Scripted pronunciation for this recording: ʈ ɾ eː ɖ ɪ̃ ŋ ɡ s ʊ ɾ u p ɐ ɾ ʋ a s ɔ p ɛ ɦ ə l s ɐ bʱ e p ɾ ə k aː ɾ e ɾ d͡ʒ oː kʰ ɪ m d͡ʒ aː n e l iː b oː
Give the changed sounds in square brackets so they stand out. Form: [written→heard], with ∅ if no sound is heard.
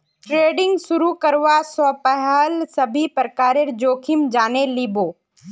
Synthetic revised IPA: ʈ ɾ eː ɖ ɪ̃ ŋ ɡ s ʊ ɾ u [p→k] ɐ ɾ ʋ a s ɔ p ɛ ɦ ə l s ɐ bʱ [e→i] p ɾ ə k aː ɾ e ɾ d͡ʒ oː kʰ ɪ m d͡ʒ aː n e l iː b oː

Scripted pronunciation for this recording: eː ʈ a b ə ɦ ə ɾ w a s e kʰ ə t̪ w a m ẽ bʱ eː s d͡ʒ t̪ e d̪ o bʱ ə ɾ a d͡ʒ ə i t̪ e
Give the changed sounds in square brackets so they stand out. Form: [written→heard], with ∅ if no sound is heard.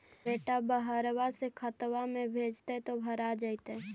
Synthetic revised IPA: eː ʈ a b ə ɦ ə ɾ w a s e kʰ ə t̪ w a m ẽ bʱ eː [s→∅] d͡ʒ t̪ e [d̪→t̪] o bʱ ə ɾ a d͡ʒ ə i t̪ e

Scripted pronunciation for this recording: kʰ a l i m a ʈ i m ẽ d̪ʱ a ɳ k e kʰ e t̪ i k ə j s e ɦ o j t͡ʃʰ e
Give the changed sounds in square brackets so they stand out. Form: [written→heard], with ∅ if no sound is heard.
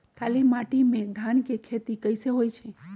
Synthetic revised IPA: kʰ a l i m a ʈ i m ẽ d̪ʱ a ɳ k e kʰ e t̪ i k ə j s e ɦ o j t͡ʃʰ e

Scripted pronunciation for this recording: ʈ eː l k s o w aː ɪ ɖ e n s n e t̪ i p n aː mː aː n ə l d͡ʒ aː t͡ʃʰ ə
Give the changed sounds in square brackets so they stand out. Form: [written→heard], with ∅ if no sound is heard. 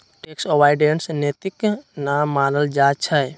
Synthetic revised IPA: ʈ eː [l→∅] k s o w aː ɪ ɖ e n s n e t̪ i [p→k] n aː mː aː n ə l d͡ʒ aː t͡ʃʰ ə

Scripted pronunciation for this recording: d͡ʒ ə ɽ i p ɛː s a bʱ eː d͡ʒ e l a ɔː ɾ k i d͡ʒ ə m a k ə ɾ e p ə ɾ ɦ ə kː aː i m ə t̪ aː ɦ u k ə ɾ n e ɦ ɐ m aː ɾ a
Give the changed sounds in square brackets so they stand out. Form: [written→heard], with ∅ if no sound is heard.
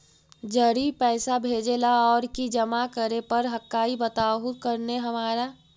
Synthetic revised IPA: d͡ʒ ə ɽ i p ɛː s a bʱ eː d͡ʒ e l a ɔː ɾ k i d͡ʒ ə m a k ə ɾ e p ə ɾ ɦ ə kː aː i [m→b] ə t̪ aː ɦ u k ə ɾ n e ɦ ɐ m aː ɾ a

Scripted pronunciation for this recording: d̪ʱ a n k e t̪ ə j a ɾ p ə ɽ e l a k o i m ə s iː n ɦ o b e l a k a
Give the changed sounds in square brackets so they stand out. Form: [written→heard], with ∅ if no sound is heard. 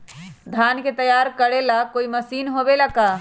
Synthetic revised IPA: d̪ʱ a n k e t̪ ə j a ɾ [p→k] ə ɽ e l a k o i m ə s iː n ɦ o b e l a k a

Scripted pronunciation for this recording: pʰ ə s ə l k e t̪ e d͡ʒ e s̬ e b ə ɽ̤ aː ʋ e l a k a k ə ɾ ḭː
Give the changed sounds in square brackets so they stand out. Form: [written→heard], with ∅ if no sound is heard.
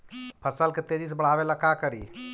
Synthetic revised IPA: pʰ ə s ə l k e t̪ e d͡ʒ [e→i] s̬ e b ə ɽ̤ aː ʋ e l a k a k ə ɾ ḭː

